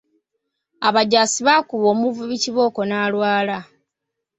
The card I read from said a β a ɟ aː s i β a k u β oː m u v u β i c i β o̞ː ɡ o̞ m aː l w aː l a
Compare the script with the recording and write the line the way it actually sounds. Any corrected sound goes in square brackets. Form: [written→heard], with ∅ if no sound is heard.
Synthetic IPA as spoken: a β a ɟ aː s i β a k u β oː m u v u β i c i β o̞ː [ɡ→k] o̞ [m→n] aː l w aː l a